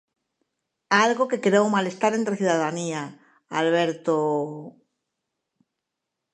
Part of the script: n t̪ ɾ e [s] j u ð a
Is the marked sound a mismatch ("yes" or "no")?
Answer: yes